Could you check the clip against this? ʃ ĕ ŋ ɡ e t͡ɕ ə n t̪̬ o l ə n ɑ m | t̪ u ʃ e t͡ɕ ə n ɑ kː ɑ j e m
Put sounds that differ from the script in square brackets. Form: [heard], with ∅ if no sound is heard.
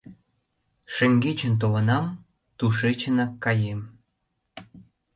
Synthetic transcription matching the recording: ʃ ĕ ŋ ɡ e t͡ɕ ə n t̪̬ o l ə n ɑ m | t̪ u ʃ e t͡ɕ ə n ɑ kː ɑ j e m